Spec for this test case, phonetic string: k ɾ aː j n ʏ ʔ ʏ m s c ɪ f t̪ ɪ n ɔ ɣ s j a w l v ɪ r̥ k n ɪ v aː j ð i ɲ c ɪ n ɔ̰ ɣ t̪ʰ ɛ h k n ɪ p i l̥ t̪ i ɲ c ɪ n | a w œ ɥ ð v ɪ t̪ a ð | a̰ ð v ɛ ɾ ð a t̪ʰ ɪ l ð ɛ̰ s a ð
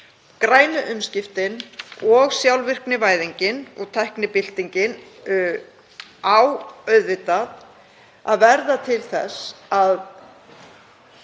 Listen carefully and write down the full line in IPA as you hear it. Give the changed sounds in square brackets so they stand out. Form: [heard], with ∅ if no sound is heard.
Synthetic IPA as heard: k ɾ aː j n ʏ ʔ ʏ m s c ɪ f t̪ ɪ n ɔ ɣ s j a w l v ɪ r̥ k n ɪ v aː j ð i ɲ c ɪ n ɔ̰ ɣ t̪ʰ ɛ h k n ɪ p [ɪ] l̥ t̪ i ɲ c ɪ n | a w œ ɥ ð v ɪ t̪ a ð | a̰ ð v ɛ ɾ ð a t̪ʰ ɪ l [θ] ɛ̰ s a ð

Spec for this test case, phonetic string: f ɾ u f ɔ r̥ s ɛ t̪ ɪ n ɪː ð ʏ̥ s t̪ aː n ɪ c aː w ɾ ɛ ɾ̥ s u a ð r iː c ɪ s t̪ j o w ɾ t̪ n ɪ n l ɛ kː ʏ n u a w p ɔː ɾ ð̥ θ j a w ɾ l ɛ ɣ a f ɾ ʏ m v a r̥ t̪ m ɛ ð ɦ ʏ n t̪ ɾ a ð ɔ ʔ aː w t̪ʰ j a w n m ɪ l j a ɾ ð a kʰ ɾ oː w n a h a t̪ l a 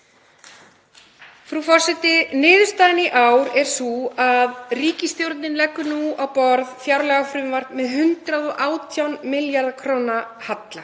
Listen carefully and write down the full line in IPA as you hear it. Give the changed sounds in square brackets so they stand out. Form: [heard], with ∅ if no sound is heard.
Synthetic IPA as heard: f ɾ u f ɔ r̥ s ɛ t̪ ɪ n ɪː ð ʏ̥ s t̪ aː n ɪ [ʔ] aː w ɾ ɛ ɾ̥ s u a ð r iː c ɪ s t̪ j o w ɾ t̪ n ɪ n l ɛ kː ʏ n u a w p [ɔ] ɾ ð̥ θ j a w ɾ l ɛ ɣ a f ɾ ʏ m v a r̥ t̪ m ɛ ð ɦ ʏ n t̪ ɾ a ð ɔ ʔ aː w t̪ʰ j a w n m ɪ l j a ɾ ð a kʰ ɾ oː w n a h a t̪ l a

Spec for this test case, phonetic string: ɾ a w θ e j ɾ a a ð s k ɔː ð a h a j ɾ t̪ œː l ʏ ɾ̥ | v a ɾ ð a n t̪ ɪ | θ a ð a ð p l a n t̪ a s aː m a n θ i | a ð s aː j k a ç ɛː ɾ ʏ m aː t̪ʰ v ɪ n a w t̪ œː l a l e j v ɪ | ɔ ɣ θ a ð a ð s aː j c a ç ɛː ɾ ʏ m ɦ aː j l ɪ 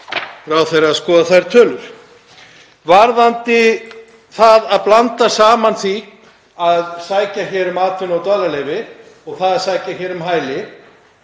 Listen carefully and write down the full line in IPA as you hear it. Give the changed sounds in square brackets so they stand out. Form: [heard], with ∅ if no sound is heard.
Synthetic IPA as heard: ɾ a w θ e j ɾ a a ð s k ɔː ð a [θ] a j ɾ [t̪ʰ] œː l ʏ ɾ̥ | v a ɾ ð a n t̪ ɪ | θ a ð a ð p l a n t̪ a s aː m a n θ i | a ð s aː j [c] a ç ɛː ɾ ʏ m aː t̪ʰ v ɪ n a w t̪ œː l a l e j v ɪ | ɔ ɣ θ a ð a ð s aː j c a ç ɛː ɾ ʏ m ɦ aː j l ɪ

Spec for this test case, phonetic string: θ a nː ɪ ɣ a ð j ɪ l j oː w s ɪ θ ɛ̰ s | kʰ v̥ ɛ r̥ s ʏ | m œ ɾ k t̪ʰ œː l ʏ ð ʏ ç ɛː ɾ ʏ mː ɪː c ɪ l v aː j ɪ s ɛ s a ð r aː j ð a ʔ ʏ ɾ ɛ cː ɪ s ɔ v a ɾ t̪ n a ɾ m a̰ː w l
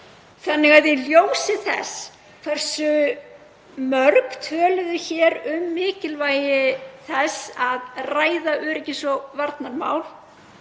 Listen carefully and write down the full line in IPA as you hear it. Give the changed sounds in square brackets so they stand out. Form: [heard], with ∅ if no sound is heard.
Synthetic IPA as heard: θ a nː ɪ ɣ a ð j ɪ l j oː w s ɪ θ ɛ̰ s | kʰ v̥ ɛ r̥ s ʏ | m œ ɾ k t̪ʰ œː l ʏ ð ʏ ç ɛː ɾ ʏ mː ɪː c ɪ l v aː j ɪ [θ] ɛ s a ð r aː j ð a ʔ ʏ ɾ ɛ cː ɪ s ɔ v a ɾ t̪ n a ɾ m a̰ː w l

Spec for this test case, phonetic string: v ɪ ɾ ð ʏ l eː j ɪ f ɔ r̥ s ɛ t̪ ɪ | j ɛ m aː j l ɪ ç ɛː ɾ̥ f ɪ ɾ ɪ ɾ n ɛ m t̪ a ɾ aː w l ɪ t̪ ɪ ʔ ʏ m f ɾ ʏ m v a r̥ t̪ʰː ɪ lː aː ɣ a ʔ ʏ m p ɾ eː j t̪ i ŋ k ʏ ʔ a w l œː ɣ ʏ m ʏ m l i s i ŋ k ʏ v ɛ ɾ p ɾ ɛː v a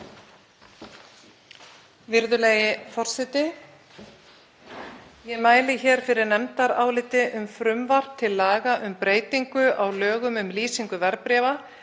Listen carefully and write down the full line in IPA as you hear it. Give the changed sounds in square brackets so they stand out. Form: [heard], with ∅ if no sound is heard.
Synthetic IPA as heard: v ɪ ɾ ð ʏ l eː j ɪ f ɔ r̥ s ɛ t̪ ɪ | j ɛ m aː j l ɪ ç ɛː ɾ̥ f ɪ ɾ ɪ ɾ n ɛ m t̪ a ɾ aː w l ɪ t̪ ɪ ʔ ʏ m f ɾ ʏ m v a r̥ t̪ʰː ɪ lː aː ɣ a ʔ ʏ m p ɾ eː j t̪ i ŋ k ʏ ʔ a w l œː ɣ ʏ m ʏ m l [iː] s i ŋ k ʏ v ɛ ɾ p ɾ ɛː v a

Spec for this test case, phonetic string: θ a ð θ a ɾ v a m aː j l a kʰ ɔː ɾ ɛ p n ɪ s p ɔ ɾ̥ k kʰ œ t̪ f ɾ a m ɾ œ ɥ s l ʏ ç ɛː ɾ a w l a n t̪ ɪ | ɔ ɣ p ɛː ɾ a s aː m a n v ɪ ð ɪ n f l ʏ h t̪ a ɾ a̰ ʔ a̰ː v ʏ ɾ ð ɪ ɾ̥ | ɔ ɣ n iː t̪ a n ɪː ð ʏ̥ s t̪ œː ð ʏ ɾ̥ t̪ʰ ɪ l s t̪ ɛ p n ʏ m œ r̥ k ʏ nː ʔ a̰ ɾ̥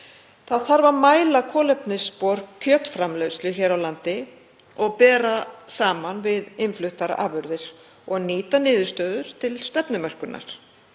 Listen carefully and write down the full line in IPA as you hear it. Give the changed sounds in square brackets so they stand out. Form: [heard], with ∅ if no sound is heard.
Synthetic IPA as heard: θ a ð θ a ɾ v a m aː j l a kʰ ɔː [l] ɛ p n ɪ s p ɔ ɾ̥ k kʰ œ t̪ f ɾ a m [l] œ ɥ s l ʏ ç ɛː ɾ a w l a n t̪ ɪ | ɔ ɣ p ɛː ɾ a s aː m a n v ɪ ð ɪ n f l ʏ h t̪ a ɾ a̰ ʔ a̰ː v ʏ ɾ ð ɪ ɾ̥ | ɔ ɣ n iː t̪ a n ɪː ð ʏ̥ s t̪ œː ð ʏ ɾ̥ t̪ʰ ɪ l s t̪ ɛ p n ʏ m œ r̥ k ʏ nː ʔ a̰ ɾ̥

